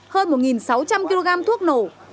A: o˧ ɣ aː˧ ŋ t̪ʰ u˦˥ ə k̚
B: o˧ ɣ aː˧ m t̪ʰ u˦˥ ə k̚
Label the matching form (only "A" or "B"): B